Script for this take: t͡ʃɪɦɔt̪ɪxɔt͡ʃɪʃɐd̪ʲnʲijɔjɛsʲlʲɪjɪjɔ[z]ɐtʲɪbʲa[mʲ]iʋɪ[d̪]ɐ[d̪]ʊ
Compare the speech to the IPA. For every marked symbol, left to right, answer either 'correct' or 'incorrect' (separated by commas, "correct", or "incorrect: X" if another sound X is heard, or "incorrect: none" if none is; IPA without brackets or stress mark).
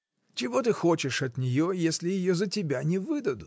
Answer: correct, incorrect: nʲ, correct, correct